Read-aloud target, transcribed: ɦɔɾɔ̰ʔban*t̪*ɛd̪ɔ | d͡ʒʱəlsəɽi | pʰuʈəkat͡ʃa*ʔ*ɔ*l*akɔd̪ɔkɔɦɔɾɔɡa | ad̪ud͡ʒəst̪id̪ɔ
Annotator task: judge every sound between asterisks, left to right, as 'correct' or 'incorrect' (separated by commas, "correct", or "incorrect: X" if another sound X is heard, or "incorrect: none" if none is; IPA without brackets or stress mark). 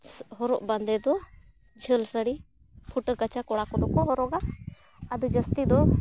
incorrect: d̪, incorrect: k, incorrect: ɽ